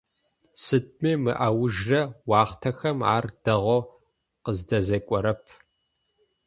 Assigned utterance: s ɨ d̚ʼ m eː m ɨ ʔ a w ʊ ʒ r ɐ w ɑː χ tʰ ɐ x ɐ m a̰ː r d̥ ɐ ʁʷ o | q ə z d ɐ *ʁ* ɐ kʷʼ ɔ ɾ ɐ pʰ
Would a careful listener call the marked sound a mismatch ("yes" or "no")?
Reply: yes